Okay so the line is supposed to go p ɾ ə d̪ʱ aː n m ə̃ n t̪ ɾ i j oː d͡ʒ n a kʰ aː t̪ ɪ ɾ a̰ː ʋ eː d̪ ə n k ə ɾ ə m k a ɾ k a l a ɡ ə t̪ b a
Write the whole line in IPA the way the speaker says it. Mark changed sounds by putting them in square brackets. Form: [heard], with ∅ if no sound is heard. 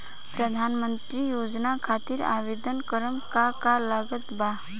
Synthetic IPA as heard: p ɾ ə d̪ʱ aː n m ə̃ n t̪ ɾ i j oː d͡ʒ n a kʰ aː t̪ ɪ ɾ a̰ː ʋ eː d̪ ə n k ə ɾ ə m k a [∅] k a l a ɡ ə t̪ b a

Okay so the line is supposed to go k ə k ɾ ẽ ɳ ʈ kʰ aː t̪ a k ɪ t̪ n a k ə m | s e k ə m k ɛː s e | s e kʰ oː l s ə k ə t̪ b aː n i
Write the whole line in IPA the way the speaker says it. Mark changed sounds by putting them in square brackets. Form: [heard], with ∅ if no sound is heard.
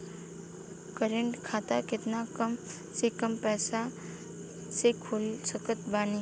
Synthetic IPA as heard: k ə [∅] ɾ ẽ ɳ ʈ kʰ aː t̪ a k ɪ t̪ n a k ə m | s e k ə m [p] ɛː s [a] | s e kʰ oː l s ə k ə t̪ b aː n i

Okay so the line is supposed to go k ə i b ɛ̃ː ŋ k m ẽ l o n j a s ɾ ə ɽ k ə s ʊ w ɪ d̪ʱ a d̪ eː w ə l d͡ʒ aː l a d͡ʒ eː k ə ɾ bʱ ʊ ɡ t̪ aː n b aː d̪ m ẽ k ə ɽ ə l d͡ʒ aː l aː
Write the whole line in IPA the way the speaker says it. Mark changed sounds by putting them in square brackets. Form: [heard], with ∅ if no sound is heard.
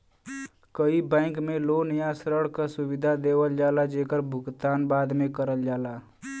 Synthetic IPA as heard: k ə i b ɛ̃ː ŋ k m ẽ l o n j a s ɾ ə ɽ k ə s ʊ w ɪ d̪ʱ a d̪ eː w ə l d͡ʒ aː l a d͡ʒ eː k ə ɾ bʱ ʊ ɡ t̪ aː n b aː d̪ m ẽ k ə [ɾ] ə l d͡ʒ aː l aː

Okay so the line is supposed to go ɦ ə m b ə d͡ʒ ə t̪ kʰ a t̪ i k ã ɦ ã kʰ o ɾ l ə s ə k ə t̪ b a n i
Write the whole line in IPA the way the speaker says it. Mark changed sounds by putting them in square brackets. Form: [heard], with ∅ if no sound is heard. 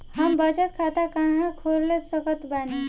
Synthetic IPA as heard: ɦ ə m b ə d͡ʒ ə t̪ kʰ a t̪ [a] k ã ɦ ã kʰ o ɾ l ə s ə k ə t̪ b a n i

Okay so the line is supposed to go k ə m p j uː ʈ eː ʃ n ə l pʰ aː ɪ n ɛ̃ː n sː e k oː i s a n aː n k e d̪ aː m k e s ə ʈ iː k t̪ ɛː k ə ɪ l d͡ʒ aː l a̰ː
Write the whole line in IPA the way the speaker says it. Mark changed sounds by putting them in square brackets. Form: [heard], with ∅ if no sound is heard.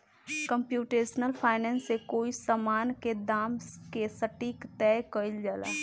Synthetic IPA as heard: k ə m p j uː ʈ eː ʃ n ə l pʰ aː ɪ n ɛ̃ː n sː e k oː i s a [m] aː n k e d̪ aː m k e s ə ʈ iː k t̪ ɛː k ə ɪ l d͡ʒ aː l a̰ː

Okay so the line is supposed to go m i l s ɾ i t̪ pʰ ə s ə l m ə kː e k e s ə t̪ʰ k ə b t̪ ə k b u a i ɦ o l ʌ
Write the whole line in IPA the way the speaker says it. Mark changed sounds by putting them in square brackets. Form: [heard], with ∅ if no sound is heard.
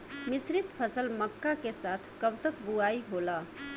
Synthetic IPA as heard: m i [∅] s ɾ i t̪ pʰ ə s ə l m ə kː [a] k e s [a] t̪ʰ k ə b t̪ ə k b u a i ɦ o l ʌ

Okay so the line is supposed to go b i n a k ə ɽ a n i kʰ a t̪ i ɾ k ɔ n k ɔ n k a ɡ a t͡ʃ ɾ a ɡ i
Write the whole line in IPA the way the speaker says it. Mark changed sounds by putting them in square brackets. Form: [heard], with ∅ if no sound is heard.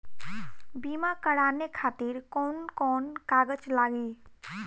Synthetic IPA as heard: b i [m] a k ə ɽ a n [e] kʰ a t̪ i ɾ k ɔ n k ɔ n k a ɡ [ə] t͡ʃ [l] a ɡ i

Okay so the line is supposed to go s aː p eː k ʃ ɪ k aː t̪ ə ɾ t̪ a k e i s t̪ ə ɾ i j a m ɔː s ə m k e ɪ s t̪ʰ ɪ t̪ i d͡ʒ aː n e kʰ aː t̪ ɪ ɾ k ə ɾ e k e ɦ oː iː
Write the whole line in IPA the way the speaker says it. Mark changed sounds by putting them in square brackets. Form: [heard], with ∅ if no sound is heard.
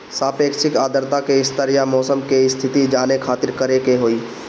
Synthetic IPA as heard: s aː p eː k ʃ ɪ k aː [d̪] ə ɾ t̪ a k e [ɪ] s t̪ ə ɾ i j a m ɔː s ə m k e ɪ s t̪ʰ ɪ t̪ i d͡ʒ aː n e kʰ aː t̪ ɪ ɾ k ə ɾ e k e ɦ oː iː

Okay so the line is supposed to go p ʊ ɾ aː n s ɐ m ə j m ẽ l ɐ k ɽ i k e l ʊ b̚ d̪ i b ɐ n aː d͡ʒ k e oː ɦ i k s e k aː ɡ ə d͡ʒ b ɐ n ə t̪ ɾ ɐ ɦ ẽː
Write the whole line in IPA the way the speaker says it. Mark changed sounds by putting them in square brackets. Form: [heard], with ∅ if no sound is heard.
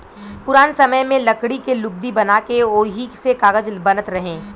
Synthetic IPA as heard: p ʊ ɾ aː n s ɐ m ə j m ẽ l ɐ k ɽ i k e l ʊ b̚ d̪ i b ɐ n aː [∅] k e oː ɦ i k s e k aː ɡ ə d͡ʒ b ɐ n ə t̪ ɾ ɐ ɦ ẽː

